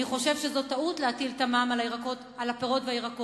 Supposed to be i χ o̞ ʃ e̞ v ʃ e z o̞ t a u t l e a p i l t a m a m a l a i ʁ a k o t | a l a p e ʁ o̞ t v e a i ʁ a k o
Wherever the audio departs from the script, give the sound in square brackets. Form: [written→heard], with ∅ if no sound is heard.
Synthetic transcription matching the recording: i χ o̞ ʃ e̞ v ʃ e z o̞ t a u t l e a [p→t] i l t a m a m a l a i ʁ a k o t | a l a p e ʁ o̞ t v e a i ʁ a k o

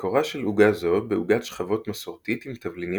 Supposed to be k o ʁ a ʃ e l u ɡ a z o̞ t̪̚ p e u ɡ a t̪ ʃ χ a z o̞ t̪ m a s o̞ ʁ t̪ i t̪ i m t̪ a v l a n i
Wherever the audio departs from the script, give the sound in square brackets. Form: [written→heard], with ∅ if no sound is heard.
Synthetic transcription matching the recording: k o ʁ a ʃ e l u ɡ a z o̞ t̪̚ [p→b] e u ɡ a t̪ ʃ χ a [z→v] o̞ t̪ m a s o̞ ʁ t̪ i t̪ i m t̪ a v l [a→i] n i

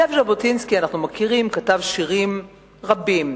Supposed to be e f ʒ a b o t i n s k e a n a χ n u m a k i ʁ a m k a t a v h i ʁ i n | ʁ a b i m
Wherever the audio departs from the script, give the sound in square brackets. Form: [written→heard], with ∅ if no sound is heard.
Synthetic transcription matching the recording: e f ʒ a b o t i n s k [e→i] a n a χ n u m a k i ʁ [a→i] m k a t a v [h→ʃ] i ʁ i [n→m] | ʁ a b i m

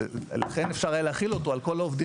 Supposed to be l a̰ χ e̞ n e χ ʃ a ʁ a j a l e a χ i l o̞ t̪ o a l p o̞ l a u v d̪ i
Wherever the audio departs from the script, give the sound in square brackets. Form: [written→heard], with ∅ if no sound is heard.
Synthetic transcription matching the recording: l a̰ χ e̞ n e [χ→f] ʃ a ʁ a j a l e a χ i l o̞ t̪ o a l [p→k] o̞ l a [u→o] v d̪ i

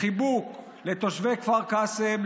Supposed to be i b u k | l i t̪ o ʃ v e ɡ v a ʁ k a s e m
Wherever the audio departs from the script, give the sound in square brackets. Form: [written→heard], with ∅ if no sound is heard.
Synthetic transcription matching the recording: i b u k | l [i→e] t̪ o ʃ v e [ɡ→k] v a ʁ k a s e m

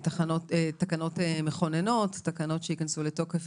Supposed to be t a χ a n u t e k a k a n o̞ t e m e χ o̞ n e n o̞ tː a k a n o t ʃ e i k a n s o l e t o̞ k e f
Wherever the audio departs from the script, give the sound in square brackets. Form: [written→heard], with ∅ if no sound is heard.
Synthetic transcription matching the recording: t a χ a n [u→o] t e [k→t] a k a n o̞ t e m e χ o̞ n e n o̞ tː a k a n o t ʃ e i k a n s [o→u] l e t o̞ k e f

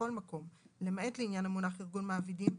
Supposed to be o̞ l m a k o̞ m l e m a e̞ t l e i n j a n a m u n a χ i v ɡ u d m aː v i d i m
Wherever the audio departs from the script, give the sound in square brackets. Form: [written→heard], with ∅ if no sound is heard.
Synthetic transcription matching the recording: o̞ l m a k o̞ m l e m a e̞ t l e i n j a n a m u n a χ i [v→ʁ] ɡ u [d→n] m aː v i d i m

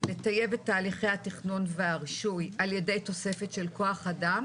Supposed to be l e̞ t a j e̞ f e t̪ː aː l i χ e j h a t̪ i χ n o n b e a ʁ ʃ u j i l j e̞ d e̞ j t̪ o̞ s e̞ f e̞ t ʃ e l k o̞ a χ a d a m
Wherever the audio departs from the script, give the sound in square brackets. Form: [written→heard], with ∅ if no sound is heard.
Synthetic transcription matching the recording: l e̞ t a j e̞ [f→v] e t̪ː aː l i χ e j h a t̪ i χ n o n [b→v] e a ʁ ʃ u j [i→a] l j e̞ d e̞ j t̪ o̞ s e̞ f e̞ t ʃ e l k o̞ a χ a d a m

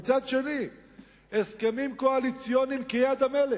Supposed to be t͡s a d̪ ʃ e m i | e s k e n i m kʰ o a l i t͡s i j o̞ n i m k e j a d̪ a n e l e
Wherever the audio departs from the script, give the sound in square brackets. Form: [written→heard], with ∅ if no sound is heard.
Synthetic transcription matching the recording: t͡s a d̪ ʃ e [m→n] i | e s k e [n→m] i m [kʰ→k] o a l i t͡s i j o̞ n i m k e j a d̪ a [n→m] e l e

